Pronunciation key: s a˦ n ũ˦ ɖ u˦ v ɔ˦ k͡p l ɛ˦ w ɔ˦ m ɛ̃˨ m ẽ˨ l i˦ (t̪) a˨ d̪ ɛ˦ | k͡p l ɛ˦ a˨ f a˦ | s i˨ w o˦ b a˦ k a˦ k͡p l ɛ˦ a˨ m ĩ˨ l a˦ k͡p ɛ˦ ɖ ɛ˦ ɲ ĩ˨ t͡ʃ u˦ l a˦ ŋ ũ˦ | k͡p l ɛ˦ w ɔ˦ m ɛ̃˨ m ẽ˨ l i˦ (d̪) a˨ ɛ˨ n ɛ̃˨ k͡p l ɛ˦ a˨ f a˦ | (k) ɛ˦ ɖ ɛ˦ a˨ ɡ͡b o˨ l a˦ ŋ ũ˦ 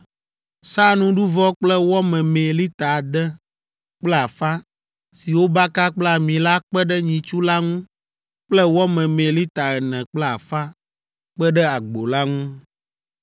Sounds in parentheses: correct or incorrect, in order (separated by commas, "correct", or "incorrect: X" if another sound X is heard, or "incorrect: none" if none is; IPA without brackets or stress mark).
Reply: correct, incorrect: t̪, incorrect: k͡p